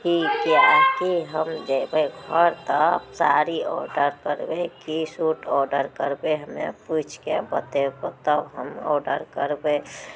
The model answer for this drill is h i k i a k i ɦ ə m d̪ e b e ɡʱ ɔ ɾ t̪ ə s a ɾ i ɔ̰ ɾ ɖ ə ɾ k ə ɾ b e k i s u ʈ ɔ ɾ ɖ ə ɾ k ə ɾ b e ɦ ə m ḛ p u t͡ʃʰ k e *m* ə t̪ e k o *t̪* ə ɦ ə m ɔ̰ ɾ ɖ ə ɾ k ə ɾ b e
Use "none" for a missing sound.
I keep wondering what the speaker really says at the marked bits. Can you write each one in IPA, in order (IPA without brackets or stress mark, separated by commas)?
b, t̪